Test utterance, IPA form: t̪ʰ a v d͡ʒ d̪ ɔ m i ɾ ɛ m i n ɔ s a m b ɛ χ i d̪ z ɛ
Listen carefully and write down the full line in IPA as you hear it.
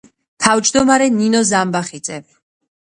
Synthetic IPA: t̪ʰ a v d͡ʒ d̪ ɔ m a ɾ ɛ n i n ɔ z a m b a χ i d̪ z ɛ